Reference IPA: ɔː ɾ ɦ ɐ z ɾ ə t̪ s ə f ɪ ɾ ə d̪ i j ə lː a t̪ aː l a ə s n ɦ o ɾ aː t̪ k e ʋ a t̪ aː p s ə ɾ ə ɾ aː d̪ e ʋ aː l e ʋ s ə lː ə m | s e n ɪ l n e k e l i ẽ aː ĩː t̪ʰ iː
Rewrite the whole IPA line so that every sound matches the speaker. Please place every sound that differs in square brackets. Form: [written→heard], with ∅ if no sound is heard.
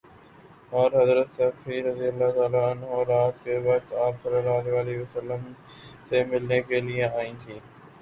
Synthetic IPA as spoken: ɔː ɾ ɦ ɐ z ɾ ə t̪ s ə f [ɪ→i] ɾ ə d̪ i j ə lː a t̪ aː l a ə [s→∅] n ɦ o ɾ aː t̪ k e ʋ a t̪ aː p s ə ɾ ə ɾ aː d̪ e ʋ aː l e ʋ s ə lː ə m | s e [n→m] ɪ l n e k e l i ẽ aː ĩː t̪ʰ iː